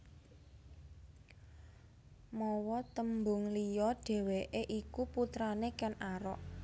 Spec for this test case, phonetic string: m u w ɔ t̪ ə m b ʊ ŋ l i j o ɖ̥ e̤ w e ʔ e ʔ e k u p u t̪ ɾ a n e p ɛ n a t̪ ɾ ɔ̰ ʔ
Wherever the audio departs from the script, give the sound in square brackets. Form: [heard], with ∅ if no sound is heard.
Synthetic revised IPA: m [ɔ] w ɔ t̪ ə m b ʊ ŋ l i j [ɔ] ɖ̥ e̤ w e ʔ e ʔ [i] k u p u t̪ ɾ a n e [k] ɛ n a [∅] ɾ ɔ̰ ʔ